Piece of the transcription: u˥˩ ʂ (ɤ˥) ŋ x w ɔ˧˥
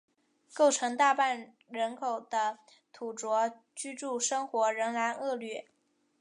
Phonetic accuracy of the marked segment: correct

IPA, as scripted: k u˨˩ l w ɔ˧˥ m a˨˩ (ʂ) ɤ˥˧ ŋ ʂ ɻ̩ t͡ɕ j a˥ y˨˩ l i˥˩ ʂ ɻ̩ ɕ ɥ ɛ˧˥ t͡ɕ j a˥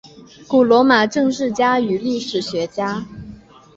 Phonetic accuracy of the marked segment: incorrect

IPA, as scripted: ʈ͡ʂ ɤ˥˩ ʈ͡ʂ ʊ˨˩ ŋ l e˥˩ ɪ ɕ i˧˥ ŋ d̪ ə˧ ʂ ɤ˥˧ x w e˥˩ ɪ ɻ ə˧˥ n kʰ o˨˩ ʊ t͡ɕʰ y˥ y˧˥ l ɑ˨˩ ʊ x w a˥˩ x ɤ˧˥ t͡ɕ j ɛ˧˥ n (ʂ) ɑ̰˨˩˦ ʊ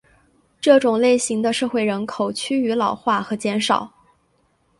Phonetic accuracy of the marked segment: correct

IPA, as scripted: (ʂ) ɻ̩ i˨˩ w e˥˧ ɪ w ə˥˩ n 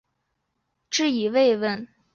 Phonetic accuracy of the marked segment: incorrect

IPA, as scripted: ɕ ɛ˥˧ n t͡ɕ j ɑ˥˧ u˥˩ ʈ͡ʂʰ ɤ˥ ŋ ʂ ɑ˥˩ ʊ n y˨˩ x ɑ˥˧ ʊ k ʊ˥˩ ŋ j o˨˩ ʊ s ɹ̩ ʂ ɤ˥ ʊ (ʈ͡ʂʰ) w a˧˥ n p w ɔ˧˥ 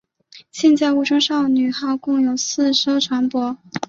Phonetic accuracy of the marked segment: correct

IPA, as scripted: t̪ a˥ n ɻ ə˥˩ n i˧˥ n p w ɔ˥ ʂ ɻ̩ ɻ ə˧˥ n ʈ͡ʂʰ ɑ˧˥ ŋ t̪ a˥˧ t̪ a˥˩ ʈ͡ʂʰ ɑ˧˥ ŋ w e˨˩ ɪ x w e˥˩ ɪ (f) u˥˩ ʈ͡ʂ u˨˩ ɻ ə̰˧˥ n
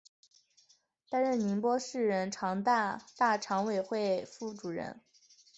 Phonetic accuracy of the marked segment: correct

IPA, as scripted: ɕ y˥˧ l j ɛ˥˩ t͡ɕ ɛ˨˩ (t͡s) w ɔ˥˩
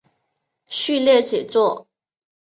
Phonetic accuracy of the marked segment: correct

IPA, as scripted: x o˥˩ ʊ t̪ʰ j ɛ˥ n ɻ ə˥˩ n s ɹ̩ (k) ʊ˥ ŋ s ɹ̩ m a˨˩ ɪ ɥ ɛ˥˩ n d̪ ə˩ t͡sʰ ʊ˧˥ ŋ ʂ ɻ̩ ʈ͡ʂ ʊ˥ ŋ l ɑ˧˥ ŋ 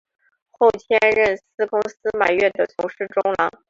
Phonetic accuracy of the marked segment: correct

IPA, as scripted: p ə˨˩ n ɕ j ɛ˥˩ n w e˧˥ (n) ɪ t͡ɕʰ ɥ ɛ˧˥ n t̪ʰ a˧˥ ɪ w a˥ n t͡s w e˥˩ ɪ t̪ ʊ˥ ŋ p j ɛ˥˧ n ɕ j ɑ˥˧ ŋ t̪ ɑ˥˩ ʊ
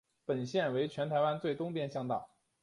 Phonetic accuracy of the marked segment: incorrect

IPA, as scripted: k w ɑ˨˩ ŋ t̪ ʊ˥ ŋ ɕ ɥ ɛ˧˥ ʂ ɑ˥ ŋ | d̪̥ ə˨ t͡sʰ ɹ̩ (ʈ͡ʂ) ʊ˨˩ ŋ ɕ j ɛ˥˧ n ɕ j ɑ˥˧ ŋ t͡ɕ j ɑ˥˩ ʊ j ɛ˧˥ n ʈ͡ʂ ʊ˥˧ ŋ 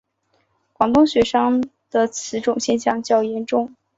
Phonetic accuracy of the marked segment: correct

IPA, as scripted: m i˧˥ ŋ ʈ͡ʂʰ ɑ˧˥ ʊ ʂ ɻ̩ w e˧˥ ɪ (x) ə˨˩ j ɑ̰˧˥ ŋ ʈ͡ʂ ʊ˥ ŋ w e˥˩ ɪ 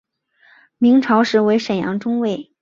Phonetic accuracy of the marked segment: incorrect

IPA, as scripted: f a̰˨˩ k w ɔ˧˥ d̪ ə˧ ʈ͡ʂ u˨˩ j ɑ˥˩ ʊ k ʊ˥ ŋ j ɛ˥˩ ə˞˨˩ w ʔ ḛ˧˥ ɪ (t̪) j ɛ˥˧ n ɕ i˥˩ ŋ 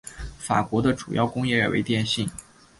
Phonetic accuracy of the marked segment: correct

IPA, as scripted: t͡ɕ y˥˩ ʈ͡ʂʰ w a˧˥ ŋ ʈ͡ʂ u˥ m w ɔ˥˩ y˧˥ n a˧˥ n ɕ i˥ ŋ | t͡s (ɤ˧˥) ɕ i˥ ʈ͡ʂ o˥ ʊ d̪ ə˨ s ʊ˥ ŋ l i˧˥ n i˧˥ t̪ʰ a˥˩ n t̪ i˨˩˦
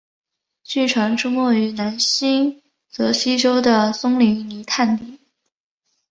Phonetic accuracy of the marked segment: correct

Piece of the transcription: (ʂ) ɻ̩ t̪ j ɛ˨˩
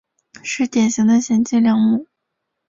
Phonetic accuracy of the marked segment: correct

